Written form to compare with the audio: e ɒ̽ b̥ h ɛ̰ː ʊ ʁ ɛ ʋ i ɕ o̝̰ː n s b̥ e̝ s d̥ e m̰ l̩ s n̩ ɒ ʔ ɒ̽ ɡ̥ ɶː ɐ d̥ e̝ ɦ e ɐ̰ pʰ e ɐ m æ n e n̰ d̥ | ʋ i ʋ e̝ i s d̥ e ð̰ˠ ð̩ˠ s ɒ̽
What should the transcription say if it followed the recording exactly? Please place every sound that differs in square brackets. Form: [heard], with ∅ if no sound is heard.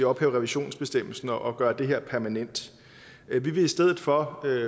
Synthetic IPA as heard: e ɒ̽ b̥ h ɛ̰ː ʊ ʁ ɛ ʋ i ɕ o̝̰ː n s b̥ e̝ s d̥ e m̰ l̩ s n̩ ɒ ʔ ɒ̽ ɡ̥ ɶː ɐ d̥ e̝ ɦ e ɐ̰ pʰ [æ] ɐ m æ n e n̰ d̥ | ʋ i ʋ e̝ i s d̥ e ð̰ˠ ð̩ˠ [f] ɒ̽